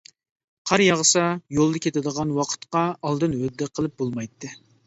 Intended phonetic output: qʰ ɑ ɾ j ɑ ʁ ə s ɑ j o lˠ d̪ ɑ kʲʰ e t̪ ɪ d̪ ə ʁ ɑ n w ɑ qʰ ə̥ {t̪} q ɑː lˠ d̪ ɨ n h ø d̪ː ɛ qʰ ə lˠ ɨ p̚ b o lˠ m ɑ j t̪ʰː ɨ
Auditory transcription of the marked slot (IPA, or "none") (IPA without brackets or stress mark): t̪